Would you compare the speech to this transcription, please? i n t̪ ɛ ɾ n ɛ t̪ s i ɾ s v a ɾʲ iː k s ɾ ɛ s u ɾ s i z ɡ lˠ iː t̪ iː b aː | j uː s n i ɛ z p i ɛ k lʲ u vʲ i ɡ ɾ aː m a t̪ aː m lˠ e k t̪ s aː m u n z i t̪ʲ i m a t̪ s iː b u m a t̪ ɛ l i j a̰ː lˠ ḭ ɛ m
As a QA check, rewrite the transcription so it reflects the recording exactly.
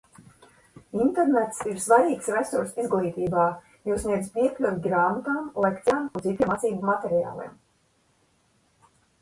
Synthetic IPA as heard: i n t̪ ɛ ɾ n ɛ t̪ s i ɾ s v a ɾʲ iː k s ɾ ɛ s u ɾ s i z ɡ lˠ iː t̪ iː b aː | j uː s n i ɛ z p i ɛ k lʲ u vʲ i ɡ ɾ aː m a t̪ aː m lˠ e k t̪ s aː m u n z i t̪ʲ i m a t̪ s iː b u m a t̪ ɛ ɾ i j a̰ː lˠ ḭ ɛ m